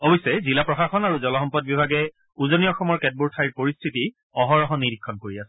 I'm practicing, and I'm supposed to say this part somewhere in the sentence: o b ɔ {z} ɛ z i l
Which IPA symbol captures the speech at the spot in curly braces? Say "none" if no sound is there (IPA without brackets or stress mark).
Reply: s